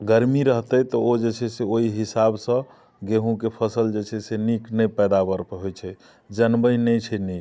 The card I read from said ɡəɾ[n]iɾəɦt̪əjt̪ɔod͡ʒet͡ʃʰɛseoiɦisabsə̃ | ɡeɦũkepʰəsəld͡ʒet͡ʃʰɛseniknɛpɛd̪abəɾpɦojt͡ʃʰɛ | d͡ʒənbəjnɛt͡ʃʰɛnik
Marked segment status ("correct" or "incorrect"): incorrect